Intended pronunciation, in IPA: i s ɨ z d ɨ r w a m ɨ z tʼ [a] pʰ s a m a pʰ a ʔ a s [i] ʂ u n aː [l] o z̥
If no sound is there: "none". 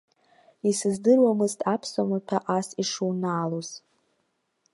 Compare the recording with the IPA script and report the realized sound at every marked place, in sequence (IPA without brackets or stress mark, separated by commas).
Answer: a, i, l